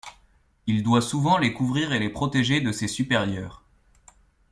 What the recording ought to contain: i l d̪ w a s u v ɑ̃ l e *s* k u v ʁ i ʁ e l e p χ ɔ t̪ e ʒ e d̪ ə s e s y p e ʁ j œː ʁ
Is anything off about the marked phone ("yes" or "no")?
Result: yes